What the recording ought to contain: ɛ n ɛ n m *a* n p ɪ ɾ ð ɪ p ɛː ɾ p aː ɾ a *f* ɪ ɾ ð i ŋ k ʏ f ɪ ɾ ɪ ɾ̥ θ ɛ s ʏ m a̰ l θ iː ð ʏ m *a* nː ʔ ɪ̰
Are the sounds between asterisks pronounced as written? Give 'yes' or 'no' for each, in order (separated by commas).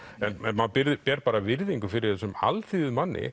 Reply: yes, no, yes